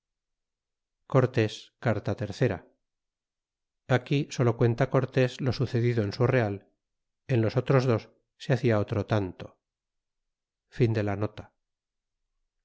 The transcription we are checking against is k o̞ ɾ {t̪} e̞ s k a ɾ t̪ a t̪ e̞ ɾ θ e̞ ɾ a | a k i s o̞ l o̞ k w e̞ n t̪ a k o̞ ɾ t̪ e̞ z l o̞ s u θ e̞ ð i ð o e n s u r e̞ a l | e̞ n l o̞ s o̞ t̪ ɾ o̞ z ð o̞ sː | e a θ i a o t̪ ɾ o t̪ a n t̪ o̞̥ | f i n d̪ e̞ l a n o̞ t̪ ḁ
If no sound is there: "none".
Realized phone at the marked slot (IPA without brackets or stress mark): t̪